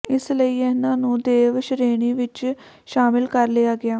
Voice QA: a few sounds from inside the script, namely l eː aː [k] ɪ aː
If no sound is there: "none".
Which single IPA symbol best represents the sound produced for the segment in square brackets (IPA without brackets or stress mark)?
ɡ